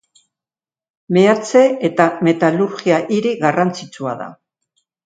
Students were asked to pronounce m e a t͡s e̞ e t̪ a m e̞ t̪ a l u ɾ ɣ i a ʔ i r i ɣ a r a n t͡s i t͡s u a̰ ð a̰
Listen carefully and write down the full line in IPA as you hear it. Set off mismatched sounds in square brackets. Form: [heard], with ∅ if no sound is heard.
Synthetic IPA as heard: m e a t͡s e̞ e t̪ a m e̞ t̪ a l u ɾ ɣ i a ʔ i [ɾ] i ɣ a r a n t͡s i t͡s u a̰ ð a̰